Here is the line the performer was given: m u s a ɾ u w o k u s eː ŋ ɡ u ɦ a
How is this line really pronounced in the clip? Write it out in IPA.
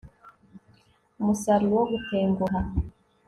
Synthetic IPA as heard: m u s a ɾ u w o ɡ u t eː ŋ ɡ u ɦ a